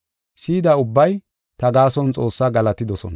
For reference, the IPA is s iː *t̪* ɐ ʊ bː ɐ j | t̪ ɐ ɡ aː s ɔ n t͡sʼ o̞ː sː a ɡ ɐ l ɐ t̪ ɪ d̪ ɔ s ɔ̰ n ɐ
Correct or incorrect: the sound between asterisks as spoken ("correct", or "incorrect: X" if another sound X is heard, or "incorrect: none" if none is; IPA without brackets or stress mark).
incorrect: d̪